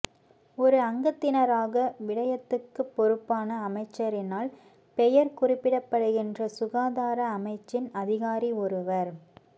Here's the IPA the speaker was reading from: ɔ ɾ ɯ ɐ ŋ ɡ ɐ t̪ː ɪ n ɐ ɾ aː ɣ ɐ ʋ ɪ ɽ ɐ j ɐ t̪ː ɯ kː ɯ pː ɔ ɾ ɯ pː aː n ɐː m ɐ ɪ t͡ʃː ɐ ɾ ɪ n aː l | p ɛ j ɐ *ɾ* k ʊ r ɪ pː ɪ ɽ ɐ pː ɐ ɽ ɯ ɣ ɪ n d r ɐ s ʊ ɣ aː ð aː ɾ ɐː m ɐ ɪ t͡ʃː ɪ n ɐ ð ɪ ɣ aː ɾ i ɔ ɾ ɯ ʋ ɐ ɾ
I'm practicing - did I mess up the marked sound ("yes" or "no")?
no